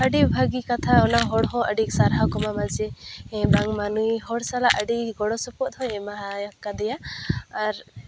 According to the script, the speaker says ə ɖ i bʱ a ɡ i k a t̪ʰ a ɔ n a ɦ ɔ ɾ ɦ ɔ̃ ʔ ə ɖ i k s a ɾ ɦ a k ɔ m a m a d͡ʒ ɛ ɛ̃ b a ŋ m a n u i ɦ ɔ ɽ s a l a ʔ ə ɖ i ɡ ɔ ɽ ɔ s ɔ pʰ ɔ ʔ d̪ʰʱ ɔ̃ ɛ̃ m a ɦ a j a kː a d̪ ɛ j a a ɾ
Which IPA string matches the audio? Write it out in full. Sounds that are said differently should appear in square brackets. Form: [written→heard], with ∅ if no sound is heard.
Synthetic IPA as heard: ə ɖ i bʱ a ɡ i k a t̪ʰ a ɔ n a ɦ ɔ [ɾ→ɽ] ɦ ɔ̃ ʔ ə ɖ i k s a ɾ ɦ a k ɔ m a m a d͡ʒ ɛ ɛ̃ b a ŋ m a n u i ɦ ɔ ɽ s a l a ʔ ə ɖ i ɡ ɔ ɽ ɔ s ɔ [pʰ→p] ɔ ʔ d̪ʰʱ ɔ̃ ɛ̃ m a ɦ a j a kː a d̪ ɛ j a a ɾ